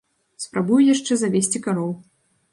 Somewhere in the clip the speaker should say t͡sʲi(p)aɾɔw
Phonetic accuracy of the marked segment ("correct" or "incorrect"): incorrect